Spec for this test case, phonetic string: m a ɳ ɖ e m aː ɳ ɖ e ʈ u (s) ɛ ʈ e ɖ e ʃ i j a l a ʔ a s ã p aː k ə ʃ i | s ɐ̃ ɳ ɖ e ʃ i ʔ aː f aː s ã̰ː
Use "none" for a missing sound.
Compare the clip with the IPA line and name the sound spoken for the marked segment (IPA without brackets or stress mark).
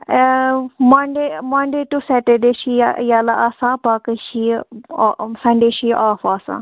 s